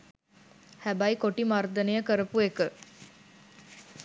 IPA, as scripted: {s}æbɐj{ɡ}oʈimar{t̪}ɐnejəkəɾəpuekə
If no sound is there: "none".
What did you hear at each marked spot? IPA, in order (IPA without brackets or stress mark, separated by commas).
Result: h, k, d̪